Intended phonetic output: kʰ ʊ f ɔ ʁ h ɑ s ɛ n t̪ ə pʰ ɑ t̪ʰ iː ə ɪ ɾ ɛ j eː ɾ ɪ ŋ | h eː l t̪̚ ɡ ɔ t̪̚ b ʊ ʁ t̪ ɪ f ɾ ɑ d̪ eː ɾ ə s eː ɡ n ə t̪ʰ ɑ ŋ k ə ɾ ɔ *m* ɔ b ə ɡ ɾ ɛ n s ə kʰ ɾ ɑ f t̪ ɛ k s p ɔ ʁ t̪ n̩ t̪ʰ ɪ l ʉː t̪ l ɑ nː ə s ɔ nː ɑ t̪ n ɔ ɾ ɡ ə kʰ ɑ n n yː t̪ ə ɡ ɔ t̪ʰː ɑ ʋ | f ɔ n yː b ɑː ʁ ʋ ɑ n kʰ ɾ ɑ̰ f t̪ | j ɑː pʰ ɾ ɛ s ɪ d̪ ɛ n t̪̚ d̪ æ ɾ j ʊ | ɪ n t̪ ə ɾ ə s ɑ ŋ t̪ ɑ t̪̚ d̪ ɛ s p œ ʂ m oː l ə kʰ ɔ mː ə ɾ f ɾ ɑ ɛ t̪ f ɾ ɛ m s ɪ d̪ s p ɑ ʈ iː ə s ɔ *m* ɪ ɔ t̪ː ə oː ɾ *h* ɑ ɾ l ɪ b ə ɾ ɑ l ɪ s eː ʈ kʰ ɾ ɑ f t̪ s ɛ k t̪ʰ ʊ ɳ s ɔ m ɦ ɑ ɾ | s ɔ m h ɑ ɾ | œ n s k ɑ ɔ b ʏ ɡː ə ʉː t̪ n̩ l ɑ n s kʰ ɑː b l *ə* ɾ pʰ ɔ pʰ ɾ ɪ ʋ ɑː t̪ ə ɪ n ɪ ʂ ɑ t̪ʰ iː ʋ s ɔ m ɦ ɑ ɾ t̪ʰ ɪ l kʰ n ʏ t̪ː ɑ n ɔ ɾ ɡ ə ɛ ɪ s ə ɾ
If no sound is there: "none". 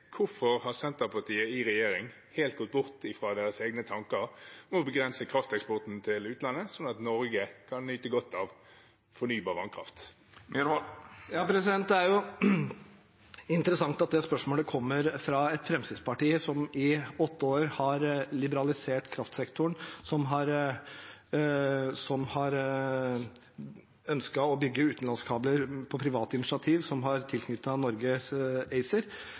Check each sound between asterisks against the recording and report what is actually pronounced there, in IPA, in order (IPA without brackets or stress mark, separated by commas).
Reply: m, m, h, ə